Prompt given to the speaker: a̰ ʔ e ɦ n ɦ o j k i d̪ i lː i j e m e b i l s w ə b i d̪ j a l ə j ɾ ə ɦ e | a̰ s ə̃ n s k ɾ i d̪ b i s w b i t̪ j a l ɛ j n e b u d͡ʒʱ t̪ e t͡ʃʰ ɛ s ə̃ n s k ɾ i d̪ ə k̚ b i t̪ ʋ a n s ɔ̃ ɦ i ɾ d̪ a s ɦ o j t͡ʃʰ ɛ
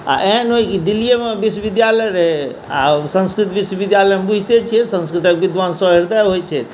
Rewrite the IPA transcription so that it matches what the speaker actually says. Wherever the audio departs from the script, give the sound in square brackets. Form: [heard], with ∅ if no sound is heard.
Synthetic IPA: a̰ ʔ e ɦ n ɦ o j k i d̪ i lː i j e m e b i [∅] s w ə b i d̪ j a l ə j ɾ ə ɦ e | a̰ s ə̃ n s k ɾ i [t̪] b i s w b i [d̪] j a l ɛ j [m] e b u d͡ʒʱ t̪ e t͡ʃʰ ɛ s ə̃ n s k ɾ i [t̪] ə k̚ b i [d̪] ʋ a n s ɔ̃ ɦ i ɾ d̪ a [∅] ɦ o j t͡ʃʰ ɛ